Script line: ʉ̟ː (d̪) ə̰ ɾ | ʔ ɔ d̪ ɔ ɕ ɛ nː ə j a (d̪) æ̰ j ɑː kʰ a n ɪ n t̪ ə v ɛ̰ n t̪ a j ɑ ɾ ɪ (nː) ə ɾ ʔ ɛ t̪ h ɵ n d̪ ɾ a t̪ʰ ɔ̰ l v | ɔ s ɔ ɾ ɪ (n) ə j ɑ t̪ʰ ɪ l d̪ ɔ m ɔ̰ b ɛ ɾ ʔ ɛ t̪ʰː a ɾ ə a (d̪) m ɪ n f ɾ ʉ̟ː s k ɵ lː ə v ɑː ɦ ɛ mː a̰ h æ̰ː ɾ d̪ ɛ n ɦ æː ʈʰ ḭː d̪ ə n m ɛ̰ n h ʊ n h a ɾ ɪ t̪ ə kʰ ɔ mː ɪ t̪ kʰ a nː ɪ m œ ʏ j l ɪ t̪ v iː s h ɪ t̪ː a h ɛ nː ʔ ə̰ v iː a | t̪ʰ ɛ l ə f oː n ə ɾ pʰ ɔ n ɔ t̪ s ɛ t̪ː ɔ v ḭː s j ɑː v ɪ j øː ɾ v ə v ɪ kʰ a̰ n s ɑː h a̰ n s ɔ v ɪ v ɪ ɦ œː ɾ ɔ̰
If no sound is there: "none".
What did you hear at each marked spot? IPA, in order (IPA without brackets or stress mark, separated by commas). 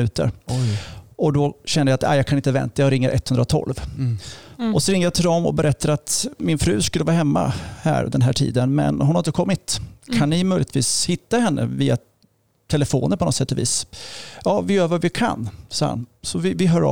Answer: t̪, t̪, ŋː, ŋ, t̪